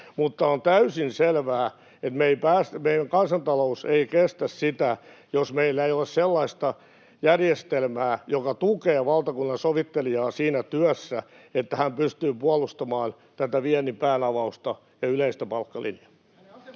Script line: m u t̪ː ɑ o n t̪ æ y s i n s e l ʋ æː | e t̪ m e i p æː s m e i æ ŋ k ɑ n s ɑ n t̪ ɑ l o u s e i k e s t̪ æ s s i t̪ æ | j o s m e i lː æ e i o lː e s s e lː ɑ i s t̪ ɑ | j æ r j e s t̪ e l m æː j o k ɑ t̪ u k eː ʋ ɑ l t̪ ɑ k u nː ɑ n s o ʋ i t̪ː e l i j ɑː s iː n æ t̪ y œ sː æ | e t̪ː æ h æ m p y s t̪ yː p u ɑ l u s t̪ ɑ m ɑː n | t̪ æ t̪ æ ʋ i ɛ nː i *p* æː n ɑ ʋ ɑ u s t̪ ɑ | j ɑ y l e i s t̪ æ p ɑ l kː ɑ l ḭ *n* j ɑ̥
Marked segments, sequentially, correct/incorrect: correct, correct

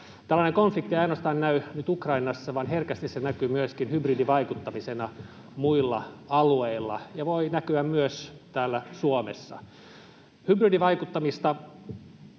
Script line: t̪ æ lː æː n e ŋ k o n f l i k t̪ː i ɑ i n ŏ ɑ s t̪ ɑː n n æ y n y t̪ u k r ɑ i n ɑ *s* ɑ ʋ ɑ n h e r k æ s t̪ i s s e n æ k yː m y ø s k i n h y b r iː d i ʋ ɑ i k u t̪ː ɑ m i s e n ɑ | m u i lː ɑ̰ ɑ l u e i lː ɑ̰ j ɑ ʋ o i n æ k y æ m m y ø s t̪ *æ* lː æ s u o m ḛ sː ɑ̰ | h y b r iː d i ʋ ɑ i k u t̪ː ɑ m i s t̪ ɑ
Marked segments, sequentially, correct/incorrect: incorrect, incorrect

